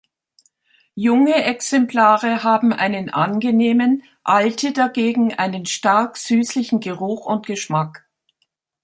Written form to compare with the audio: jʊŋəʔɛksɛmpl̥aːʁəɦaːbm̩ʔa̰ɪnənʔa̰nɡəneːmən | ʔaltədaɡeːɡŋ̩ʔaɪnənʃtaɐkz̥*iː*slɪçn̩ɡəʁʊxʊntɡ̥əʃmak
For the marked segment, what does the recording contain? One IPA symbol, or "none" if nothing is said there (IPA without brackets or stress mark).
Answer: yː